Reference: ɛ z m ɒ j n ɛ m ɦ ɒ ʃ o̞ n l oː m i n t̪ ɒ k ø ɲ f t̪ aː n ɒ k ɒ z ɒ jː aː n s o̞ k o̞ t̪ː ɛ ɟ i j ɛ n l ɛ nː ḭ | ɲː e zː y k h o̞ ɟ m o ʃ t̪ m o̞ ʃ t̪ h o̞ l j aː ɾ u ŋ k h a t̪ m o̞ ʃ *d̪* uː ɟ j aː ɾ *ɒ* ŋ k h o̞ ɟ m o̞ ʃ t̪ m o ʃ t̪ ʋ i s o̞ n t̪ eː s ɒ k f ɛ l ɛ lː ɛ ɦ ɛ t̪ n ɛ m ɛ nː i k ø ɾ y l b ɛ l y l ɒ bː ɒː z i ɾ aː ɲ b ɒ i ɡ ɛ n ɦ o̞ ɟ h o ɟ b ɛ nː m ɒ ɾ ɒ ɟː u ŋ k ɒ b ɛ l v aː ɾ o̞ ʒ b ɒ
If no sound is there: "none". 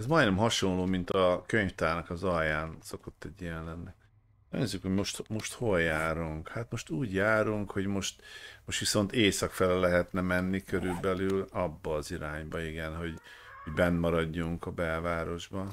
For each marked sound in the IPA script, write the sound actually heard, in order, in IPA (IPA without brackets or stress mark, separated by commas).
t̪, u